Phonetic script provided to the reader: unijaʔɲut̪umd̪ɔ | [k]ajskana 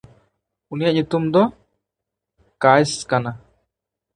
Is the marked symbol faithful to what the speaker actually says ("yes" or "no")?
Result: yes